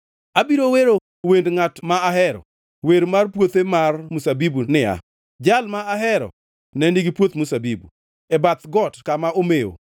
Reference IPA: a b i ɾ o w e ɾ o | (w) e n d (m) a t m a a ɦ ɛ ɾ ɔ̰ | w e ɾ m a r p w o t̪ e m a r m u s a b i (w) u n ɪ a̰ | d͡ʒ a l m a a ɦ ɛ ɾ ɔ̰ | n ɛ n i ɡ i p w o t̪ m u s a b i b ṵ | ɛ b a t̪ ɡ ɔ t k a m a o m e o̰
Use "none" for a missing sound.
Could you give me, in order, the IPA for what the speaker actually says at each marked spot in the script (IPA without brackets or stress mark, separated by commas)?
w, ŋ, b